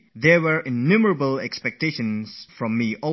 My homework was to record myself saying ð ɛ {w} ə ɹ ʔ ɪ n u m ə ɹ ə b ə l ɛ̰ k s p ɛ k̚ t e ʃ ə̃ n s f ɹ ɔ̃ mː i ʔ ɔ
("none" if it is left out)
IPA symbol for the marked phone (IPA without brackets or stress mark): w